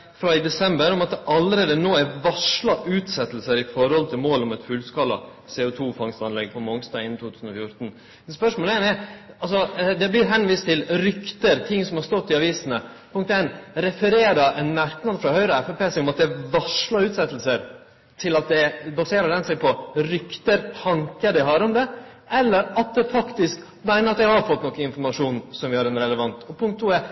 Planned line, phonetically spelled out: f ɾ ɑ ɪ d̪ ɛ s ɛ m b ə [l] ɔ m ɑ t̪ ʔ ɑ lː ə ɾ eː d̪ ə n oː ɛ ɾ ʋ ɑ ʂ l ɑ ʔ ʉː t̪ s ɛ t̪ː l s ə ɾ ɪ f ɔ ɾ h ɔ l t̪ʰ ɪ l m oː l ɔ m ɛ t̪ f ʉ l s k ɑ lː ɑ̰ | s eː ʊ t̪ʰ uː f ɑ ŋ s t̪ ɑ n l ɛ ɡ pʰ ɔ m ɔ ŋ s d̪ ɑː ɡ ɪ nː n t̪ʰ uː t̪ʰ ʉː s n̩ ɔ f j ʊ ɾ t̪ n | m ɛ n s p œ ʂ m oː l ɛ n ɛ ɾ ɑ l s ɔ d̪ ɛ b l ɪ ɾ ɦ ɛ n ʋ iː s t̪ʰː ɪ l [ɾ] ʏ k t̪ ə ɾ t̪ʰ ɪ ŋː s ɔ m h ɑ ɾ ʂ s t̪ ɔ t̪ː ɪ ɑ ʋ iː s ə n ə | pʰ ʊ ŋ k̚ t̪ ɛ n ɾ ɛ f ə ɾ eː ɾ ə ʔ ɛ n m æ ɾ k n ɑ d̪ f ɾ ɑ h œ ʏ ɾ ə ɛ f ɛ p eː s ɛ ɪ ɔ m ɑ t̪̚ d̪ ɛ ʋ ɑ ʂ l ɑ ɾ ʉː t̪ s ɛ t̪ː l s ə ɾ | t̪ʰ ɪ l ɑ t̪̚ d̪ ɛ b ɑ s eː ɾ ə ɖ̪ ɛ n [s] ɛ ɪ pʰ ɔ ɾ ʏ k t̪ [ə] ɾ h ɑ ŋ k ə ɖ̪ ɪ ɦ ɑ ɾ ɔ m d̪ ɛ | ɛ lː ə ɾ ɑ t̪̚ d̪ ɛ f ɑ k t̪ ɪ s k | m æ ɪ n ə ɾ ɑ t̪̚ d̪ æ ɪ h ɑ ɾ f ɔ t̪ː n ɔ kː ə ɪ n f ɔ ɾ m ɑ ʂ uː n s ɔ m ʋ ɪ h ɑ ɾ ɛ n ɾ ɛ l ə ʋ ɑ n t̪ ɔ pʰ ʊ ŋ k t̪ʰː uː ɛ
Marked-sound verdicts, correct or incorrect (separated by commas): incorrect, correct, correct, correct